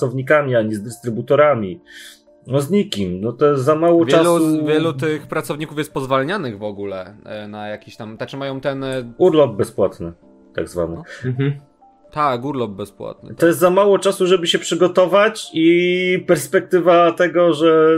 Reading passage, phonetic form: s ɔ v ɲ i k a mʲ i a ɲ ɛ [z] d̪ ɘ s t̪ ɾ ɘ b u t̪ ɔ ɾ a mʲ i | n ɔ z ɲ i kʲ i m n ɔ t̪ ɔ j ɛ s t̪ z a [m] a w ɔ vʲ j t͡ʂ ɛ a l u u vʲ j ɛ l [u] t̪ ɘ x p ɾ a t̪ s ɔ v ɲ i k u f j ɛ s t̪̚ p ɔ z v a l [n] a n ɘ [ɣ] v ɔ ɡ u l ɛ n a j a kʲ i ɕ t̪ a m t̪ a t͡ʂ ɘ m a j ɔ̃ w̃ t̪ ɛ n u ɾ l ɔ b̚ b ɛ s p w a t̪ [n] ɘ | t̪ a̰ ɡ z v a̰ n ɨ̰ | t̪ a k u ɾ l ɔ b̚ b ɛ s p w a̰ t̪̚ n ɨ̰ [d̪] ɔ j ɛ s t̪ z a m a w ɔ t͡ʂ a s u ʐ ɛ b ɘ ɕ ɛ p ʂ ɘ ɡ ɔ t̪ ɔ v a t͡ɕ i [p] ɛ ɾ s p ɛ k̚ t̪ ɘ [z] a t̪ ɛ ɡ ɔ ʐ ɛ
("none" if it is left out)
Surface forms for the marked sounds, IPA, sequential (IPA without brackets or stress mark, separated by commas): z, m, u, ɲ, ɣ, n, t̪, p, v